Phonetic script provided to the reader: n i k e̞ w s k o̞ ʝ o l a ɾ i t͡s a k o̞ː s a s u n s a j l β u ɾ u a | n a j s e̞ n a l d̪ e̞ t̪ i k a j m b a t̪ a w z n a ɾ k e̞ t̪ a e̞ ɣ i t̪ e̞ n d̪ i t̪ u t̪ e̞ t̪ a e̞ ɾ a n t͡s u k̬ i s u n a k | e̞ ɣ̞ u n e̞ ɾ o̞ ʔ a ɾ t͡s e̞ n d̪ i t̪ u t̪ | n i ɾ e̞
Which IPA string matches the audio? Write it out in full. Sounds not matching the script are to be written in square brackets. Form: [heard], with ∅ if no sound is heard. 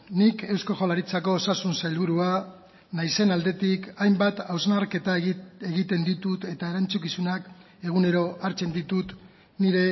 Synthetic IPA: n i k e̞ w s k o̞ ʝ o l a ɾ i t͡s a k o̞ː s a s u n s a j l β u ɾ u a | n a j s e̞ n a l d̪ e̞ t̪ i k a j m b a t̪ a w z n a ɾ k e̞ t̪ a e̞ ɣ i t̪ e̞ n d̪ i t̪ u t̪ e̞ t̪ a e̞ ɾ a n t͡s u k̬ i s u n a k | e̞ ɣ̞ u n e̞ ɾ o̞ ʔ a ɾ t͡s e̞ n d̪ i t̪ u t̪ | n i ɾ e̞